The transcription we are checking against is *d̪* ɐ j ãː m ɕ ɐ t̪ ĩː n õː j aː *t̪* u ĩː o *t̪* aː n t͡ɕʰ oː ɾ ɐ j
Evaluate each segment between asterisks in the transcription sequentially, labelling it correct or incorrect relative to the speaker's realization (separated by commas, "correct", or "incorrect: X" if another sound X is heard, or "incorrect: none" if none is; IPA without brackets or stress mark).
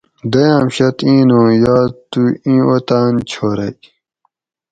correct, correct, correct